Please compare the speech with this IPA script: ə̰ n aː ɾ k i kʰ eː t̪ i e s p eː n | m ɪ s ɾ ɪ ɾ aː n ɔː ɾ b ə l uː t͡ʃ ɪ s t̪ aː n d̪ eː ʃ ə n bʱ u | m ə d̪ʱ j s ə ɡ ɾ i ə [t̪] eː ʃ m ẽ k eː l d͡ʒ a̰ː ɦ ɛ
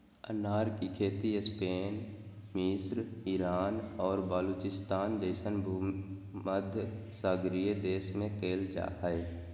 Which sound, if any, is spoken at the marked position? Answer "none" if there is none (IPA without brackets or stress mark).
d̪